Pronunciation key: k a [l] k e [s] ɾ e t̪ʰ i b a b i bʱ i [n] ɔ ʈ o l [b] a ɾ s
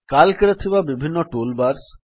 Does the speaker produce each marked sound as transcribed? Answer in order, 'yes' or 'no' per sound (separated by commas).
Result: yes, no, no, yes